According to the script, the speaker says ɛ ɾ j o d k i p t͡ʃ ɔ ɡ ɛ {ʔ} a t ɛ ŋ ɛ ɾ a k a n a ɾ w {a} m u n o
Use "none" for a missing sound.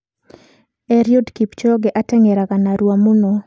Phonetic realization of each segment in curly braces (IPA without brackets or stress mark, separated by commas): ʔ, a